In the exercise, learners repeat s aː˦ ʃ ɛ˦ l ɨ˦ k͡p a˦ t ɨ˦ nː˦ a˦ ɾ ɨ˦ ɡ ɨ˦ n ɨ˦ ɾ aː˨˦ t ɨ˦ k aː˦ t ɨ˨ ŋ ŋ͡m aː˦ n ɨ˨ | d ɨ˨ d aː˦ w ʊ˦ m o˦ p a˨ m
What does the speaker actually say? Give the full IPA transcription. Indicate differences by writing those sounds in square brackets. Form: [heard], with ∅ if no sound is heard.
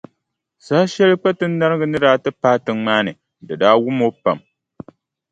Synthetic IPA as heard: s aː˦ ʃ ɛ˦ l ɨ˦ k͡p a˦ t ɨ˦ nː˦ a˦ ɾ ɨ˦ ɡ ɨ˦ n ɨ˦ ɾ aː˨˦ t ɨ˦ [p] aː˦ t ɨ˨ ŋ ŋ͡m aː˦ n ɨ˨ | d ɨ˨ d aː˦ w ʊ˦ m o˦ p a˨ m